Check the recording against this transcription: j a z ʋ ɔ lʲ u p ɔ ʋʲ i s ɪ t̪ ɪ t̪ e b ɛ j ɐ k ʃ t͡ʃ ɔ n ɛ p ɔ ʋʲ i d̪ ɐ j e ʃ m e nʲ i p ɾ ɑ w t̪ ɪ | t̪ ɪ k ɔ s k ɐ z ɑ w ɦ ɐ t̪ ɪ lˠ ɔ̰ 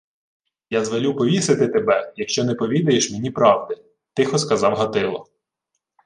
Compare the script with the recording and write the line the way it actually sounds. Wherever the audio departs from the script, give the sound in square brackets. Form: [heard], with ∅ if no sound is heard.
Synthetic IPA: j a z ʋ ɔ lʲ u p ɔ ʋʲ i s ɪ t̪ ɪ t̪ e b ɛ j ɐ k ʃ t͡ʃ ɔ n ɛ p ɔ ʋʲ i d̪ ɐ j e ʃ m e nʲ i p ɾ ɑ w [d̪] ɪ | t̪ ɪ [x] ɔ s k ɐ z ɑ w ɦ ɐ t̪ ɪ lˠ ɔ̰

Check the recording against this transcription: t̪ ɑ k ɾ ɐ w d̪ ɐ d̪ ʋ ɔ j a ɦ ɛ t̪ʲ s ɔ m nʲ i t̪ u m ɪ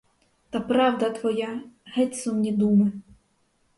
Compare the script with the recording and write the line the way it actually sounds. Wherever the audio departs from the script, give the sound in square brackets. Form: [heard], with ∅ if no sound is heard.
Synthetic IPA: t̪ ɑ [p] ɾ [ɑ] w d̪ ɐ [t̪] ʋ ɔ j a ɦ ɛ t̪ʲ s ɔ m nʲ i [d̪] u m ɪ

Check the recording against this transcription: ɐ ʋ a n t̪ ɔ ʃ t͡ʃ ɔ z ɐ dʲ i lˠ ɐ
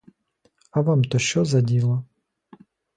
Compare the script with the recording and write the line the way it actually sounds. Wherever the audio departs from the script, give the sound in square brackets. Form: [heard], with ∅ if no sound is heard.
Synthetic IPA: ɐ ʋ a [m] t̪ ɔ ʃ t͡ʃ ɔ z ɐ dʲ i lˠ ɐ

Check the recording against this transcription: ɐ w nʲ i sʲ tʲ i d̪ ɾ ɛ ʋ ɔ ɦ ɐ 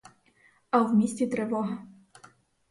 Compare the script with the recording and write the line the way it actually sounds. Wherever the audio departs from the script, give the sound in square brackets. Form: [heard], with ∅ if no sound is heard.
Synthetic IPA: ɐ w [mʲ] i sʲ tʲ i [t̪] ɾ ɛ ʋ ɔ ɦ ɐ

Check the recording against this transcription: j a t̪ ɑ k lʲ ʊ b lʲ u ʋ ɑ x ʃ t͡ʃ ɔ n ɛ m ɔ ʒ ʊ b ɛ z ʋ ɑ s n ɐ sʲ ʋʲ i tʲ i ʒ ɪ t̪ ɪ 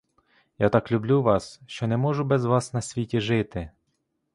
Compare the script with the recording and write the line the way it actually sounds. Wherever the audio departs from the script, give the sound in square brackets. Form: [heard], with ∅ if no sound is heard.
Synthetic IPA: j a t̪ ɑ k lʲ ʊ b lʲ u ʋ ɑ [s] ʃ t͡ʃ ɔ n ɛ m ɔ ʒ ʊ b ɛ z ʋ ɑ s n ɐ sʲ ʋʲ i tʲ i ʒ ɪ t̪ ɪ

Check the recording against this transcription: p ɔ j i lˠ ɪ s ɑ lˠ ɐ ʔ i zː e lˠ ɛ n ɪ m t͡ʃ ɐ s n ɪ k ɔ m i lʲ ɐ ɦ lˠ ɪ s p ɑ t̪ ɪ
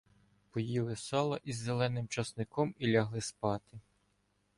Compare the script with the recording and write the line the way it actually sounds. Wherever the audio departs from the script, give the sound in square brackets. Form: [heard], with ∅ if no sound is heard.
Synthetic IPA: p ɔ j i lˠ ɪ s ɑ lˠ ɐ ʔ i zː e lˠ ɛ n ɪ m t͡ʃ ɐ s n ɪ k ɔ m i lʲ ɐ ɦ lˠ ɪ s p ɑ t̪ ɪ

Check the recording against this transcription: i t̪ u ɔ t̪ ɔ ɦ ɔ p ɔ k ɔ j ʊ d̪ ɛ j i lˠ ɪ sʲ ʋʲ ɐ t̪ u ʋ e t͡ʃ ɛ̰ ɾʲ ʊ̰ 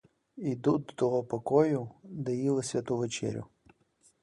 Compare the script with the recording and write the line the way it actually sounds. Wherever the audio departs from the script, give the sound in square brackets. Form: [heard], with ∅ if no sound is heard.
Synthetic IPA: i [d̪] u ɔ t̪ ɔ ɦ ɔ p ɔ k ɔ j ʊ d̪ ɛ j i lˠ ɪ sʲ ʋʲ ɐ t̪ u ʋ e t͡ʃ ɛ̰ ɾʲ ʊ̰

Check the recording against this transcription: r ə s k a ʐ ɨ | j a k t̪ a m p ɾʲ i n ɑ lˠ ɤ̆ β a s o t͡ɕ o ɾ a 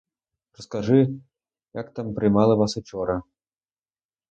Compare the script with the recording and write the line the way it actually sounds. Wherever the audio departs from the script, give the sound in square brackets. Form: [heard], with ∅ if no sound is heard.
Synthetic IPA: r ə s k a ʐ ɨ | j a k t̪ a m p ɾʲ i [m] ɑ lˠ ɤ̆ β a s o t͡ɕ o ɾ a

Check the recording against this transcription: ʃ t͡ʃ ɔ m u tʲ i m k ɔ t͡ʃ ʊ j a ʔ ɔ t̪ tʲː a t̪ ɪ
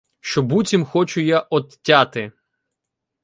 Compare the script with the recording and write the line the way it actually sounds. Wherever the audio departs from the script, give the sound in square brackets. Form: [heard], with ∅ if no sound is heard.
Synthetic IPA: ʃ t͡ʃ ɔ [b] u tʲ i m [x] ɔ t͡ʃ ʊ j a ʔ ɔ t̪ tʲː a t̪ ɪ

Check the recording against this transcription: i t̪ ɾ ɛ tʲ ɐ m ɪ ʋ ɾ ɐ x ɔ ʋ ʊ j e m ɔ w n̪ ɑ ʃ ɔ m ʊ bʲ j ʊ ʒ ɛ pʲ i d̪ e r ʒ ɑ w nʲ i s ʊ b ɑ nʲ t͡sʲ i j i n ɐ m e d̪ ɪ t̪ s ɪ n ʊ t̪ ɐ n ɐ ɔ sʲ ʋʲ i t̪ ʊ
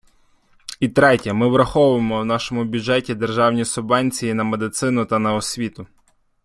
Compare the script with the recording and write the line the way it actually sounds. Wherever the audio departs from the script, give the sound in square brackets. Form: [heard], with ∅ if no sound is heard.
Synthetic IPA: i t̪ ɾ ɛ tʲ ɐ m ɪ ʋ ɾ ɐ x ɔ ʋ ʊ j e m ɔ w n̪ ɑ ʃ ɔ m ʊ bʲ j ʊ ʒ ɛ [tʲ] i d̪ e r ʒ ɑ w nʲ i s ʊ b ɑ nʲ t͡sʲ i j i n ɐ m e d̪ ɪ t̪ s ɪ n ʊ t̪ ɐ n ɐ ɔ sʲ ʋʲ i t̪ ʊ

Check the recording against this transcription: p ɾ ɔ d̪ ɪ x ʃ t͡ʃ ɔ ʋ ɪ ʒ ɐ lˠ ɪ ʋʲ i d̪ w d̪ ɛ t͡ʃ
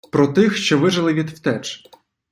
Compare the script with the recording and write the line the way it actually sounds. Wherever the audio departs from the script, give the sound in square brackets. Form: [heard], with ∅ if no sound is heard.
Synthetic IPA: p ɾ ɔ [t̪] ɪ x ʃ t͡ʃ ɔ ʋ ɪ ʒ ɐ lˠ ɪ ʋʲ i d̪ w [t̪] ɛ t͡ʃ

